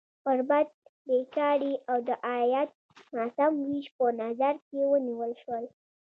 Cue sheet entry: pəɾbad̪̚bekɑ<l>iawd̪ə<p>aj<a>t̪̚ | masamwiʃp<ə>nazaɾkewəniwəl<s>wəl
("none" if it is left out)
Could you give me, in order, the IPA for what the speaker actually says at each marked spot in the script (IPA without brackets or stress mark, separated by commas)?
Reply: ɽ, ʔ, a, ə, ʃ